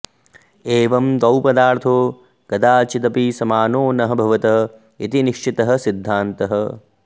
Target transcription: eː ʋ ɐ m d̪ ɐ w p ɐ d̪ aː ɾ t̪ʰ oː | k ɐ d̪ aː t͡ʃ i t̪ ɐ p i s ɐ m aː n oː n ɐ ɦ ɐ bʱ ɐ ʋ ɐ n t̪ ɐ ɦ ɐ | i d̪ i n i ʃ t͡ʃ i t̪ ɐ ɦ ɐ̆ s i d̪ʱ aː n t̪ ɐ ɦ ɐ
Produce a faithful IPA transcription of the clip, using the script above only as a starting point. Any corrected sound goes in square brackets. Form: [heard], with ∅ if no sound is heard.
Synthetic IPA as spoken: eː ʋ ɐ m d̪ ɐ w p ɐ d̪ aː ɾ t̪ʰ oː | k ɐ d̪ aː t͡ʃ i t̪ ɐ p i s ɐ m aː n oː n ɐ ɦ ɐ bʱ ɐ ʋ ɐ [∅] t̪ ɐ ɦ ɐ | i [t̪] i n i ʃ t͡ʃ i t̪ ɐ ɦ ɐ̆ s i [d̪ʱː] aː n t̪ ɐ ɦ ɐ